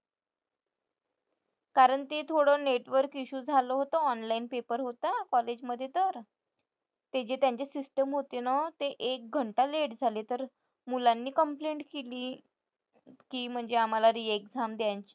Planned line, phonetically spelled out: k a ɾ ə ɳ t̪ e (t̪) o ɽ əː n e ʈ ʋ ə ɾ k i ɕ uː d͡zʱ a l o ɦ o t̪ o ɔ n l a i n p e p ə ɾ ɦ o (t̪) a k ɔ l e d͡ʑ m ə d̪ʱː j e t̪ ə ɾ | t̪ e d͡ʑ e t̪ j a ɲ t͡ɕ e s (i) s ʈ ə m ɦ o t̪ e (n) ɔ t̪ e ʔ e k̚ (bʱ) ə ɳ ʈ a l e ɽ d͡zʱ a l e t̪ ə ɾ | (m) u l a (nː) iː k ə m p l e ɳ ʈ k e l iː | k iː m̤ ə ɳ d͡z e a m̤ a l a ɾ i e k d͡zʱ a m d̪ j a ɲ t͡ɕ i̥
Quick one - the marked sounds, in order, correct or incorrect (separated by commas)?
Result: incorrect, correct, correct, correct, incorrect, correct, correct